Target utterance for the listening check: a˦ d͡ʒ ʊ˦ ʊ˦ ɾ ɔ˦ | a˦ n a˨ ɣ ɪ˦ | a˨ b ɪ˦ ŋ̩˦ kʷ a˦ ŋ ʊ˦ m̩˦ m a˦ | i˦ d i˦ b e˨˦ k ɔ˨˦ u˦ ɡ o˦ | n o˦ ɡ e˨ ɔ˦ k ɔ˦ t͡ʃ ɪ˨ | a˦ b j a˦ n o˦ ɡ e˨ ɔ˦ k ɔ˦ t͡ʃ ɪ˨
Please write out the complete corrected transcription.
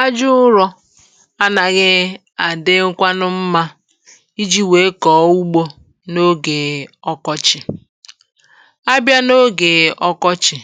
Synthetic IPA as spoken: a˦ d͡ʒ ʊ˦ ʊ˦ ɾ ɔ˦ | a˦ n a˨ ɣ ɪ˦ | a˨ d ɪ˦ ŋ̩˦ kʷ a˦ n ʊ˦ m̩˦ m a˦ | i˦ d͡ʒ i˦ w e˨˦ k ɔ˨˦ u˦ ɡ͡b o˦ | n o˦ ɡ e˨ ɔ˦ k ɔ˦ t͡ʃ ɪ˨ | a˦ b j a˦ n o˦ ɡ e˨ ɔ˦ k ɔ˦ t͡ʃ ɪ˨

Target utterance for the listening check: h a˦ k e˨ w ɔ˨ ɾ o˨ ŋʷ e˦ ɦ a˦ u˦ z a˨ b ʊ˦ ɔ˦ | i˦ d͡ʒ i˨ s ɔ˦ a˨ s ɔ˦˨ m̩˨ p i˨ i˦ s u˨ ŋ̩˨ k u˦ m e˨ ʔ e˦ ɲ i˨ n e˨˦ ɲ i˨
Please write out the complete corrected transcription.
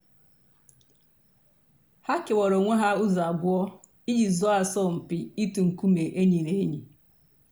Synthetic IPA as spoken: h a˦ k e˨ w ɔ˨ ɾ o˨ ŋʷ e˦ ɦ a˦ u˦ z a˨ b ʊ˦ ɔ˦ | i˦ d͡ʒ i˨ z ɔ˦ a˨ s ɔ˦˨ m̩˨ p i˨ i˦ t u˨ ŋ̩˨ k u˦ m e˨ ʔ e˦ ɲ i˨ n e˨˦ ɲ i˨

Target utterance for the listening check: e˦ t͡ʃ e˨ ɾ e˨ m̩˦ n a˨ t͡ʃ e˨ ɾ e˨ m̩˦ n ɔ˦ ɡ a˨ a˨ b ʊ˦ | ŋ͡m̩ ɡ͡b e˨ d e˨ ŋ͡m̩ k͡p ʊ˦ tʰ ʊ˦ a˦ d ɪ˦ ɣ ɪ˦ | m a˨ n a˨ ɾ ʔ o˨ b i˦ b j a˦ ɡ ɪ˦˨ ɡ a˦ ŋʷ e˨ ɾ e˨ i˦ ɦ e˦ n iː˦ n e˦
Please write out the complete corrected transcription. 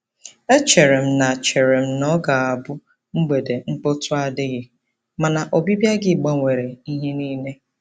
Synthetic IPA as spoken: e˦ t͡ʃ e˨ ɾ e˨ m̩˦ n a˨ t͡ʃ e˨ ɾ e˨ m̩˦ n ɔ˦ ɡ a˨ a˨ b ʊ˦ | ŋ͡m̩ ɡ͡b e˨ d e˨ ŋ͡m̩ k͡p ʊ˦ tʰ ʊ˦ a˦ d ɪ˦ ɣ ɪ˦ | m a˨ n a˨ ʔ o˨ b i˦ b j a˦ ɡ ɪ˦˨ ɡ͡b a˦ ŋʷ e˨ ɾ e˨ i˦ ɦ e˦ n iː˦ n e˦

